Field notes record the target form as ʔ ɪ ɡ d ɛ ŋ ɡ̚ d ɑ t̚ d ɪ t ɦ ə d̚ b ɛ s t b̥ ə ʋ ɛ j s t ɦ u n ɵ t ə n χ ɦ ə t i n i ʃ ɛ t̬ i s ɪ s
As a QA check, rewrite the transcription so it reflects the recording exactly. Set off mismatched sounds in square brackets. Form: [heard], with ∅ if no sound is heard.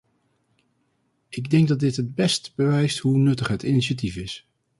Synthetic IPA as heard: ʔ ɪ ɡ d ɛ ŋ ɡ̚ d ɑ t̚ d ɪ t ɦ ə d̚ b ɛ s t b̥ ə ʋ ɛ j s t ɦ u n ɵ t ə [∅] χ ɦ ə t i n i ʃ [a] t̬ i [f] ɪ s